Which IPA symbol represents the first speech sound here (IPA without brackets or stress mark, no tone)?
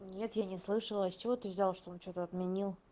nʲ